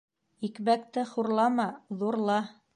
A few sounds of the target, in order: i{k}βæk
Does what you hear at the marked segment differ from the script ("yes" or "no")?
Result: no